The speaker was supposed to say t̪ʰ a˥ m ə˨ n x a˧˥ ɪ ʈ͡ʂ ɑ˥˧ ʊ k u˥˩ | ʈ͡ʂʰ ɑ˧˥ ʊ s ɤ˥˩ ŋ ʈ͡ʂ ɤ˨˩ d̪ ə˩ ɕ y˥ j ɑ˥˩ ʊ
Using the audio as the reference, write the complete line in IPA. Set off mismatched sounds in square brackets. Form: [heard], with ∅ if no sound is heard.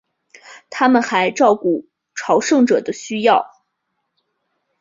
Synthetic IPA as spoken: t̪ʰ a˥ m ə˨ n x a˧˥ ɪ ʈ͡ʂ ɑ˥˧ ʊ k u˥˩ | ʈ͡ʂʰ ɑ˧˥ ʊ [ʂ] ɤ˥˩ ŋ ʈ͡ʂ ɤ˨˩ d̪ [ə˦] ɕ y˥ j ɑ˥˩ ʊ